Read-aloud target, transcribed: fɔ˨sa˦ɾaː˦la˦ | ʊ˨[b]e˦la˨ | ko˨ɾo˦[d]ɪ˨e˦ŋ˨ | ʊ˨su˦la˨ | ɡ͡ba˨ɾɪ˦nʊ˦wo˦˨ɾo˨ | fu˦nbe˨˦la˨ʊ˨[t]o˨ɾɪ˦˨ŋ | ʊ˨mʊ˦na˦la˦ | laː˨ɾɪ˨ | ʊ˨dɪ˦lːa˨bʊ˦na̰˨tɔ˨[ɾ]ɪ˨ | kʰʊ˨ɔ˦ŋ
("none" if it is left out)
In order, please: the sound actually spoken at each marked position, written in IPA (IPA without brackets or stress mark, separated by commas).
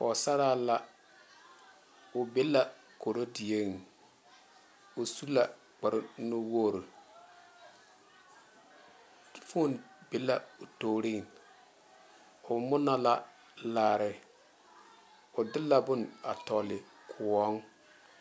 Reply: b, d, t, l